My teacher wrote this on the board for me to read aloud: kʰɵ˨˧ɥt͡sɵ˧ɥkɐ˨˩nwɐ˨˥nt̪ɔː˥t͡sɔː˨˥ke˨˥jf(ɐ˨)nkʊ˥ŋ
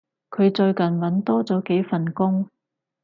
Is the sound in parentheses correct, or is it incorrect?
correct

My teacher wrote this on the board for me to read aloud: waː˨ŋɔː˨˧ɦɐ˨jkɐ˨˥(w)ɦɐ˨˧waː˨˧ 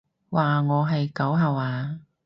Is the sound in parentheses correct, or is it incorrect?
correct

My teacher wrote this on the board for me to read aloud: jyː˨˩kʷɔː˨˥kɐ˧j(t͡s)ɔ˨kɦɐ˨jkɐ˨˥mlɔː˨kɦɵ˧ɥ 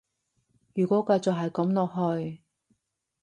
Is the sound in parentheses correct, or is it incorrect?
correct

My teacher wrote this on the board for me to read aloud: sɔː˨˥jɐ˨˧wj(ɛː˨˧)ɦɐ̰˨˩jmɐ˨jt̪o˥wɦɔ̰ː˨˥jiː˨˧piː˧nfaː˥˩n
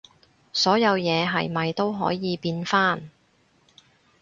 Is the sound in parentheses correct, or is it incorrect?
correct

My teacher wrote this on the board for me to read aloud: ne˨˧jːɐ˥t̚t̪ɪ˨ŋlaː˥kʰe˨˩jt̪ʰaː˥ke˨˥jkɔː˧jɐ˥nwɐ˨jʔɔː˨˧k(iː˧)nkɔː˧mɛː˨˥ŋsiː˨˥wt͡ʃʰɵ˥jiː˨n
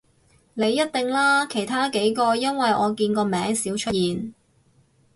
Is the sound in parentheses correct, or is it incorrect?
correct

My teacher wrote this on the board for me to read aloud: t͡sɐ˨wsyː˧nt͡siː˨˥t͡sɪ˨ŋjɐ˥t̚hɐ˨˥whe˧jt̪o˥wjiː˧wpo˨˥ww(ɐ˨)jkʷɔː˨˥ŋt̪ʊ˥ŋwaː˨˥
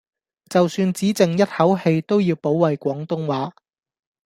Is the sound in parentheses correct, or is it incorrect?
correct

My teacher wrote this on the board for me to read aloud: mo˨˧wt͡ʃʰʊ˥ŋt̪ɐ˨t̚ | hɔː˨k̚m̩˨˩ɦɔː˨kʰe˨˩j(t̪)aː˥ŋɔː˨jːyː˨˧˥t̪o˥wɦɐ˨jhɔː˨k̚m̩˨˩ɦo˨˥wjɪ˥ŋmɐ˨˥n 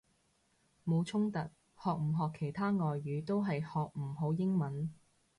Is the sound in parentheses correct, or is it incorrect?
incorrect: t̪ʰ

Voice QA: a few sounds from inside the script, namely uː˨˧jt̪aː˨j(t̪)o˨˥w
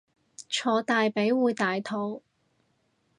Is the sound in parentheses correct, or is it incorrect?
incorrect: t̪ʰ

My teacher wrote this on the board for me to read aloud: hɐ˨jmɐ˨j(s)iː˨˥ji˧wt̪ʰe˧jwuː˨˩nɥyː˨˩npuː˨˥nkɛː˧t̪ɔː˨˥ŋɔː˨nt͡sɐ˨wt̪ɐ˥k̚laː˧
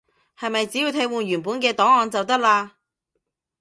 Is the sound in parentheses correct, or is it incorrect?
incorrect: t͡s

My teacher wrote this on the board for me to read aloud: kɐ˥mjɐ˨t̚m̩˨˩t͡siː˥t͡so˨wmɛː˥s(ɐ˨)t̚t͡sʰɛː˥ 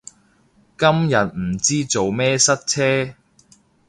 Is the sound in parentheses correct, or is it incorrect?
incorrect: ɐ˥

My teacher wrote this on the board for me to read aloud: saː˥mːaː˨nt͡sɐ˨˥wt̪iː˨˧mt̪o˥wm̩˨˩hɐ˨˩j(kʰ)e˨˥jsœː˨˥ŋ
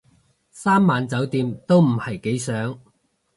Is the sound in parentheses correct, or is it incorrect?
incorrect: k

